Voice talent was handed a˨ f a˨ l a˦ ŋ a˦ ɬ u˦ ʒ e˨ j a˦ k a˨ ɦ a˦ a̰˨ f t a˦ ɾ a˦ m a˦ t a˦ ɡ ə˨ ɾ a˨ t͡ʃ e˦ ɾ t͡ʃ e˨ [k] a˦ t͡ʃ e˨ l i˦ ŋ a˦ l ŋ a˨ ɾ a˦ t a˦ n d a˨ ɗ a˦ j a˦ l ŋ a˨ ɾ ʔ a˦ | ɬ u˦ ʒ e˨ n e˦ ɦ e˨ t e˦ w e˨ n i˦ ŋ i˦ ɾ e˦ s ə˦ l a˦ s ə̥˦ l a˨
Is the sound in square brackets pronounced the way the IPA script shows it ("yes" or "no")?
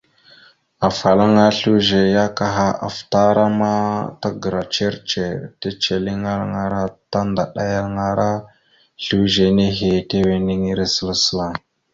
no